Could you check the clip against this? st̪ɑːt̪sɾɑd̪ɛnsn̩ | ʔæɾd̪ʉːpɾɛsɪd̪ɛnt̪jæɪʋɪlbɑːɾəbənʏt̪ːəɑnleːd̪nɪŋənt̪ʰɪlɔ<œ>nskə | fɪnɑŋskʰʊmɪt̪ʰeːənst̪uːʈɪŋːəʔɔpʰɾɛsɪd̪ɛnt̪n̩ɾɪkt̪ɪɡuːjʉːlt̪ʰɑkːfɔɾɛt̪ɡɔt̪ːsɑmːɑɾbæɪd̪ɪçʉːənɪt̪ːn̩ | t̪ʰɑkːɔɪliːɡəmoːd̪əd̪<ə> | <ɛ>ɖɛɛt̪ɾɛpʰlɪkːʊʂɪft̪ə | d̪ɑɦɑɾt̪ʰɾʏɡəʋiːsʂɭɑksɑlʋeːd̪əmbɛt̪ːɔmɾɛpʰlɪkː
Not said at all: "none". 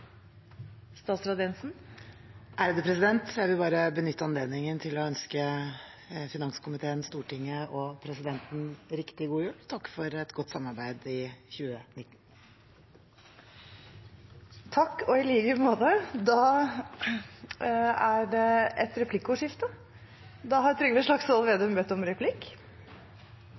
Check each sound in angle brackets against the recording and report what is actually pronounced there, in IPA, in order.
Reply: œ, ɑ, æ

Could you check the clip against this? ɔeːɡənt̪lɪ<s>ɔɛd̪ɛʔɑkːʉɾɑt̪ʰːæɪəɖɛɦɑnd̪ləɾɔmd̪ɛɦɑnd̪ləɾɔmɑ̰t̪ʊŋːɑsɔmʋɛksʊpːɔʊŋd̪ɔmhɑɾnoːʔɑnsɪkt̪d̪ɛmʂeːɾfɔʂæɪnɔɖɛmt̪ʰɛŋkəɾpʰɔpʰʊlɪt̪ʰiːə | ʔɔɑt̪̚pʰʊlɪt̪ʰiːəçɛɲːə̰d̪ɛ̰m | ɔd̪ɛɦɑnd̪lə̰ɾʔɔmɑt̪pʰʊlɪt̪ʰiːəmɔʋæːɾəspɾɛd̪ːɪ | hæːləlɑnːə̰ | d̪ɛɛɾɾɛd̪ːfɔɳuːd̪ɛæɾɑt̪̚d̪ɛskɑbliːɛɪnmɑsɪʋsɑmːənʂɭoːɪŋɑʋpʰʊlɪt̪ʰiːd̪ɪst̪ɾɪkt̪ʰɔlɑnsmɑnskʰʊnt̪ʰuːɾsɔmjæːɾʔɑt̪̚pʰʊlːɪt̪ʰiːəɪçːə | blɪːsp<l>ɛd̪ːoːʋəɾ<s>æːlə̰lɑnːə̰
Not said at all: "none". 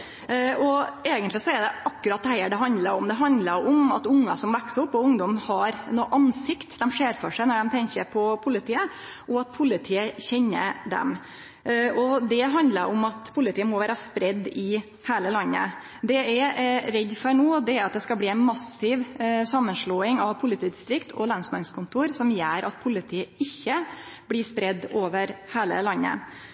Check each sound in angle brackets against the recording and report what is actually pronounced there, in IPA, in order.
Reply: s, ɾ, h

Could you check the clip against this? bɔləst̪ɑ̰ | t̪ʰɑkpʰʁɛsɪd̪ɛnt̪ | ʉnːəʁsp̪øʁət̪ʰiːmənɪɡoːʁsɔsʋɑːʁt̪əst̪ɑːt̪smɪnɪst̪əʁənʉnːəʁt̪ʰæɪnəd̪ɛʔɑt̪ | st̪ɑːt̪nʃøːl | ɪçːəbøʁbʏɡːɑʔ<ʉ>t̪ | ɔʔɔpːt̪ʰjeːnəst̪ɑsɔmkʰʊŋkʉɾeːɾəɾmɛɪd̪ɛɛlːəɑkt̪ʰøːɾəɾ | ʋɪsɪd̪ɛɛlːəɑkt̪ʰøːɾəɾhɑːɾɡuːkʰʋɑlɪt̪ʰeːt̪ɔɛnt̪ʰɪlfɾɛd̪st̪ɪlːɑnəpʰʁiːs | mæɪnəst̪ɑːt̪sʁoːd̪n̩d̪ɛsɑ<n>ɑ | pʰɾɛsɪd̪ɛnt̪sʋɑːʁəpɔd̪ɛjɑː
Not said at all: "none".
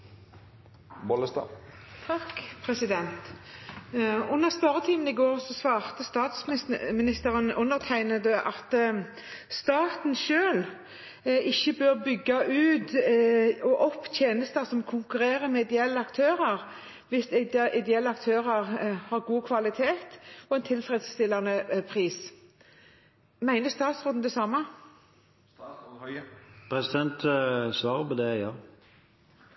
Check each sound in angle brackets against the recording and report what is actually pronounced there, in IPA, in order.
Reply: ʉː, m

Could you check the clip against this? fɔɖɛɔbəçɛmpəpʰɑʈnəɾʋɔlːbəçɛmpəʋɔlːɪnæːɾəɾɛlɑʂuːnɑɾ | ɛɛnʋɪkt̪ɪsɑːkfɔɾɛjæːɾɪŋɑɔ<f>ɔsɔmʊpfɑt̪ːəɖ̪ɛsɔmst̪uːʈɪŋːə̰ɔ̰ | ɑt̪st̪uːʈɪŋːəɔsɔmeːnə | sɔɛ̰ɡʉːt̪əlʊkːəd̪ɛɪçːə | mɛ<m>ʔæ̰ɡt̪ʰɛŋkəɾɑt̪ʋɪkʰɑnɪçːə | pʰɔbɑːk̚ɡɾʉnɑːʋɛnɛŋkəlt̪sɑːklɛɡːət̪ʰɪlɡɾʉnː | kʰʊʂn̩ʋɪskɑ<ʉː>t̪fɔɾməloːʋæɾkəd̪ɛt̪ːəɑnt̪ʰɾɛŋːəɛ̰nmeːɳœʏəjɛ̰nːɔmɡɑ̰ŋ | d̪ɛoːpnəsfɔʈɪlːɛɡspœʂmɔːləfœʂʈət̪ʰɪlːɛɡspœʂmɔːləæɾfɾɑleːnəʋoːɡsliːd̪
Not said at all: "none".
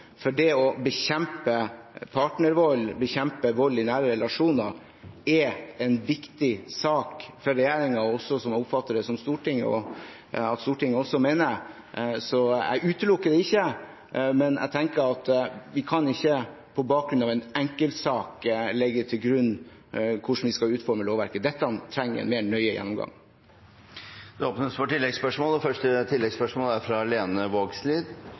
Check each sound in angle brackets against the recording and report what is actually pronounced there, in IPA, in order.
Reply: s, n, ʉː

